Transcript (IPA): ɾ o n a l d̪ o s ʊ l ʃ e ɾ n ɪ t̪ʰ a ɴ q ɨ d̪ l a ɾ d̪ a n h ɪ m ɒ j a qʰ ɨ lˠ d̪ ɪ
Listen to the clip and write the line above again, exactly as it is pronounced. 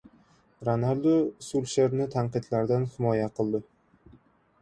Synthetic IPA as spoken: ɾ o n a l d̪ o s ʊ l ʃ e ɾ n ɪ t̪ʰ a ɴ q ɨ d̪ l a ɾ d̪ a n h ɪ m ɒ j a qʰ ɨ lˠ d̪ ɪ